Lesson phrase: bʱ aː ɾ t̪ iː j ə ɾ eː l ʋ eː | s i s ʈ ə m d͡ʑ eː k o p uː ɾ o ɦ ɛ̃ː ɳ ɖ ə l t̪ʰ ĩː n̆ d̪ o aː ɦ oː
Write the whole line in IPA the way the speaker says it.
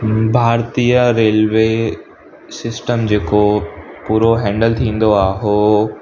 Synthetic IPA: bʱ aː ɾ t̪ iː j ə ɾ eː l ʋ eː | s ɪ s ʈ ə m d͡ʑ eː k o p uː ɾ o ɦ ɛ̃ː ɳ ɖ ə l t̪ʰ ĩː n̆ d̪ o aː ɦ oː